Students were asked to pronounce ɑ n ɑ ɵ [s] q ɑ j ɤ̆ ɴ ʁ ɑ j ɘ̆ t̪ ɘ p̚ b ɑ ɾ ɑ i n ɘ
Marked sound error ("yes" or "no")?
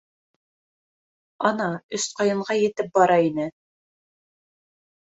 no